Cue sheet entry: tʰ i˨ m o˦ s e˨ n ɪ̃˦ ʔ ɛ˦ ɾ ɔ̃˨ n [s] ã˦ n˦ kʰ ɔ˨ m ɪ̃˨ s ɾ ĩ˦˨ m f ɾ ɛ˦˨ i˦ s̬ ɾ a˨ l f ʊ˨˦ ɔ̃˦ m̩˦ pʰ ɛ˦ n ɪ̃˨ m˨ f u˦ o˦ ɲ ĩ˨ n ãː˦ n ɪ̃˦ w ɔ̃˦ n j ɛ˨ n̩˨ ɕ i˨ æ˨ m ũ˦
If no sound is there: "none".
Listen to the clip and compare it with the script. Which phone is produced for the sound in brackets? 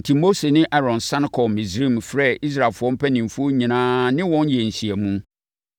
s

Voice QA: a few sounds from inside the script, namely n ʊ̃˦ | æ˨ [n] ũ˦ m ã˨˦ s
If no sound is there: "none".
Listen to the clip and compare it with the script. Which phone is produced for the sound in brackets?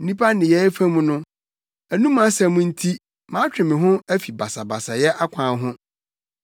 n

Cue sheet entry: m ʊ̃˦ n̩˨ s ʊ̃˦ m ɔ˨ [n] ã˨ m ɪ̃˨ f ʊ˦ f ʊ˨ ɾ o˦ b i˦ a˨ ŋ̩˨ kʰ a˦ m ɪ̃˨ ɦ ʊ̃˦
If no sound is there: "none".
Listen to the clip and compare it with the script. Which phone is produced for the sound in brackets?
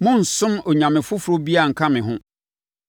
ɲ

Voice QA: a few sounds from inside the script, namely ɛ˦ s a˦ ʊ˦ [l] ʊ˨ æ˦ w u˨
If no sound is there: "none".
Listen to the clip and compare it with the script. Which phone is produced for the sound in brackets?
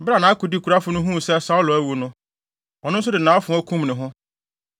l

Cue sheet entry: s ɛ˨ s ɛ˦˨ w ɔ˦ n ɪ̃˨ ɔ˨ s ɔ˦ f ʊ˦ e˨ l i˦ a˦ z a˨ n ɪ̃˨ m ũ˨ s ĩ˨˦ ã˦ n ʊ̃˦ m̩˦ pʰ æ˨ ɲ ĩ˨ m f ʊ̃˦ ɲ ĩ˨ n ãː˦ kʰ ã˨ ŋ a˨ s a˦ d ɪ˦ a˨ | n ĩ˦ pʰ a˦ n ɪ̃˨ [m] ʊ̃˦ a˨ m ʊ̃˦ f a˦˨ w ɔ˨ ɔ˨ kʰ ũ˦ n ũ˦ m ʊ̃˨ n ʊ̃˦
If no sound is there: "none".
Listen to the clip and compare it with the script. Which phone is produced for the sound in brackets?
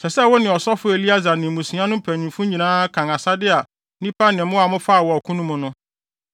m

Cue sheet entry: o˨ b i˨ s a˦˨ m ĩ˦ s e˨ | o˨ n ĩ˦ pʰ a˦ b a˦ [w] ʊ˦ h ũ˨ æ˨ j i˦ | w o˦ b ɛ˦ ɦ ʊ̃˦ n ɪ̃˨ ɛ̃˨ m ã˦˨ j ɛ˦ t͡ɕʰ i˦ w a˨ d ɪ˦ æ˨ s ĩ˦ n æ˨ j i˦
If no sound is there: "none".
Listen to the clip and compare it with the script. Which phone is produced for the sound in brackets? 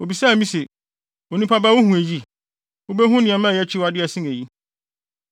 w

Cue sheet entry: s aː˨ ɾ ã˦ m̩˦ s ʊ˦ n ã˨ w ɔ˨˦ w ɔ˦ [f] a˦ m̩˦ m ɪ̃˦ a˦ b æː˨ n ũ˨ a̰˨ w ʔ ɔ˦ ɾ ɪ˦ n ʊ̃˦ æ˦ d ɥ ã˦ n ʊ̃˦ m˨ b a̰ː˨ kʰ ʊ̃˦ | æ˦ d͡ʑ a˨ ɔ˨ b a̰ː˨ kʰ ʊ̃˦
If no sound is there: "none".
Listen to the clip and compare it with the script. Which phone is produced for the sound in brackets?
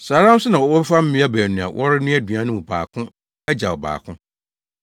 f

